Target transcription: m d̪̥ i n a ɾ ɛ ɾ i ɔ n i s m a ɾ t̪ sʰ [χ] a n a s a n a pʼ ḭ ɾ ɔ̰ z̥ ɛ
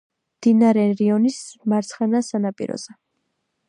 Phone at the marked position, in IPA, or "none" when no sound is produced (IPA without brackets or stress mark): χ